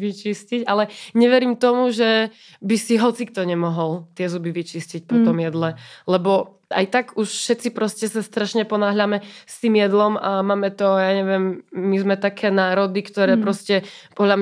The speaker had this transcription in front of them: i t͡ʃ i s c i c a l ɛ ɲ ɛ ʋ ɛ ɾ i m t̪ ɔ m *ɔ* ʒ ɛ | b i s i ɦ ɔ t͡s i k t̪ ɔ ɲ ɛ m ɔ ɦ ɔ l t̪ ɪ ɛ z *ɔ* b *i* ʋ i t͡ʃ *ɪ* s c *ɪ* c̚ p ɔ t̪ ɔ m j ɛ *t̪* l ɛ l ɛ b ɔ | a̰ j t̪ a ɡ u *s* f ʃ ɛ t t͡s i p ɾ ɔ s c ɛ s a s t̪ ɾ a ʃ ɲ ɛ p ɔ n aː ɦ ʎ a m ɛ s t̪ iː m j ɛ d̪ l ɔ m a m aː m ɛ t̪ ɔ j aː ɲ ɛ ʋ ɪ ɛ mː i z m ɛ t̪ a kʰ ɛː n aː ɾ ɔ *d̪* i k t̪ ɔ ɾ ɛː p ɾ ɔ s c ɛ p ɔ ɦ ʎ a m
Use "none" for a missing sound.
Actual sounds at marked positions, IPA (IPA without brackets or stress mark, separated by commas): u, u, i, i, i, d̪, ʃ, d̪